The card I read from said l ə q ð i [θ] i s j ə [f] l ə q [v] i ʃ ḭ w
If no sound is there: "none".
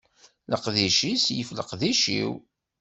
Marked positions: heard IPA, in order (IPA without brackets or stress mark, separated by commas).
ʃ, f, ð